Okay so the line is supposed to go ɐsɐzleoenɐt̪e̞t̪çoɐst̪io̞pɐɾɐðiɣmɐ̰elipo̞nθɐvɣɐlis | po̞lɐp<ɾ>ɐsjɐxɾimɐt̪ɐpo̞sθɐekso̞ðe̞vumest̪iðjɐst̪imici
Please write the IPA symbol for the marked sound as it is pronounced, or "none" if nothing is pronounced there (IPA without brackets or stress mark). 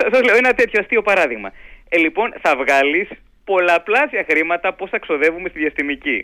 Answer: l